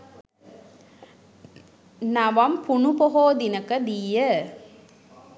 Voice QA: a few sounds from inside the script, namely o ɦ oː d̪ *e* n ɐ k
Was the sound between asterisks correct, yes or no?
no